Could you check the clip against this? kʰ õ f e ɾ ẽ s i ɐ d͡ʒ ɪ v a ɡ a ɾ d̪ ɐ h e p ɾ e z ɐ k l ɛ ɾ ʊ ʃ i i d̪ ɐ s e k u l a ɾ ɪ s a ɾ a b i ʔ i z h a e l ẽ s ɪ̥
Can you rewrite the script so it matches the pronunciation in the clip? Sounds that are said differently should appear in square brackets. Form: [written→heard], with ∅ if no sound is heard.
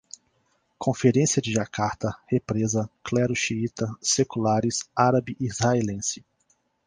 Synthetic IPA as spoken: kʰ õ f e ɾ ẽ s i ɐ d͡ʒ ɪ [v→ʒ] a [ɡ→k] a ɾ [d̪→t̪] ɐ h e p ɾ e z ɐ k l ɛ ɾ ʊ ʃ i i [d̪→t̪] ɐ s e k u l a ɾ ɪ s a ɾ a b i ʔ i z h a e l ẽ s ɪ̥